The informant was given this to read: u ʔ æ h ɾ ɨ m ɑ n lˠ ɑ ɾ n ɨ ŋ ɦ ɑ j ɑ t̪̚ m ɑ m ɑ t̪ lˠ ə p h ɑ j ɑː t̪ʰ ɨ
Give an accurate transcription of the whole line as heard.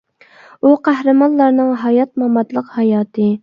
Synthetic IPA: u q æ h ɾ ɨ m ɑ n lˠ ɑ ɾ n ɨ ŋ ɦ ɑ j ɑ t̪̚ m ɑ m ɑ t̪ lˠ ə q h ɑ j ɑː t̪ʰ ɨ